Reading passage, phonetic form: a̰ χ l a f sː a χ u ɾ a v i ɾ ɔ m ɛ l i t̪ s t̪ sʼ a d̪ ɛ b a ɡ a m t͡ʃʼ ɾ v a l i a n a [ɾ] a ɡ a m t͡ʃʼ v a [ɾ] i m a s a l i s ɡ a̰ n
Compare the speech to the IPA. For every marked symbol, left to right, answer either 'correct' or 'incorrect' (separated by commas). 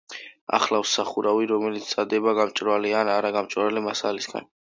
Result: correct, incorrect